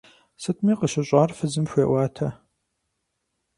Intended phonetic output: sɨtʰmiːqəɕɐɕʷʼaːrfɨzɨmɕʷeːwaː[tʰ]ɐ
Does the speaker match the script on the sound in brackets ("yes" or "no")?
yes